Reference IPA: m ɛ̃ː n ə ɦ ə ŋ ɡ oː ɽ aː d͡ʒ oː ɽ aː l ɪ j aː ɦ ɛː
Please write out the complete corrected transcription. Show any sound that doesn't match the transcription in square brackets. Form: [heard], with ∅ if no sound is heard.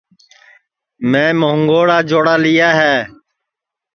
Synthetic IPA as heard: m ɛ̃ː [m] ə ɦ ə ŋ ɡ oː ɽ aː d͡ʒ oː ɽ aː l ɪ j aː ɦ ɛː